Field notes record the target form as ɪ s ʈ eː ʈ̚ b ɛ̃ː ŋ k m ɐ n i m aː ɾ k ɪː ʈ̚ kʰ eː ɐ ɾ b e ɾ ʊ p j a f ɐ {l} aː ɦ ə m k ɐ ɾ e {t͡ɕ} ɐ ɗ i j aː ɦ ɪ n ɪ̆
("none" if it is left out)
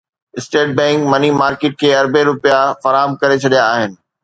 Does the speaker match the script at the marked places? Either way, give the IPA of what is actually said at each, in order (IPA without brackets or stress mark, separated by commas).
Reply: ɾ, t͡ɕʰ